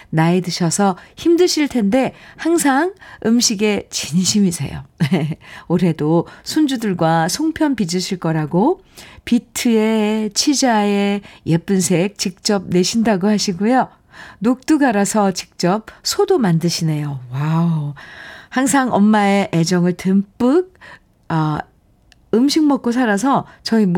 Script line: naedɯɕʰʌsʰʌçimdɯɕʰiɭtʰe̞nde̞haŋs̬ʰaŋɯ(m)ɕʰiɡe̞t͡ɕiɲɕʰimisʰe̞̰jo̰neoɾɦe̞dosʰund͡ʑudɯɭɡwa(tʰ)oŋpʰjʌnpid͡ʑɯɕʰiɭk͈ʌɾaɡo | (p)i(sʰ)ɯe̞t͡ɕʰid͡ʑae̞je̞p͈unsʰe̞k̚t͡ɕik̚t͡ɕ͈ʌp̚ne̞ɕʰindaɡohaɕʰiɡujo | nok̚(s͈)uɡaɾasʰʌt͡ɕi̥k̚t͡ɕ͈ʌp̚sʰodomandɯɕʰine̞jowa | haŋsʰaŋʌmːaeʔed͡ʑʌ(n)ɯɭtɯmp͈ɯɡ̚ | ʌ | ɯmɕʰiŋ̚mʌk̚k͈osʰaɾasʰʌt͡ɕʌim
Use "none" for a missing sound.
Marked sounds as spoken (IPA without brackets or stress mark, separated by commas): m, sʰ, p, tʰ, t͈, ŋ